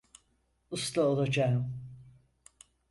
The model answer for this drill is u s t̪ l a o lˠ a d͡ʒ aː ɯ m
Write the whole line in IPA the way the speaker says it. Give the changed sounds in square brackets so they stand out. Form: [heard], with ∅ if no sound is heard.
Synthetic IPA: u s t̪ l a o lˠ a d͡ʒ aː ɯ m